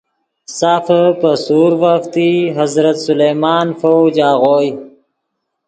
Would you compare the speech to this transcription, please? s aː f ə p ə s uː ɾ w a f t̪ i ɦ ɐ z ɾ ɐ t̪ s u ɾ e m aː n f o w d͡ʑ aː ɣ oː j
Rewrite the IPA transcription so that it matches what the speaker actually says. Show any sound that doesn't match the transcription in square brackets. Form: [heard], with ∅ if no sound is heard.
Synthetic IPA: s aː f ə p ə s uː ɾ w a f t̪ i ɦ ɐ z ɾ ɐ t̪ s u [l] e m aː n f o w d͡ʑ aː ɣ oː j